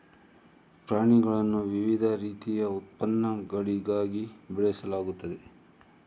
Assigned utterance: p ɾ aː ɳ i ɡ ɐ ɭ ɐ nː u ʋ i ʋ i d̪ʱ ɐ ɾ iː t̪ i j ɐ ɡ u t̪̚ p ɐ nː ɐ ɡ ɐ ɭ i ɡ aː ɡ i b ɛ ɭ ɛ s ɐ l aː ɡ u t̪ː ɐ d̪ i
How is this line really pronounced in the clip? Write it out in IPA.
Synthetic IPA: p ɾ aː ɳ i ɡ ɐ ɭ ɐ nː u ʋ i ʋ i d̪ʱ ɐ ɾ iː t̪ i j ɐ u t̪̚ p ɐ nː ɐ ɡ ɐ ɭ i ɡ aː ɡ i b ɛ ɭ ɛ s ɐ l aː ɡ u t̪ː ɐ d̪ e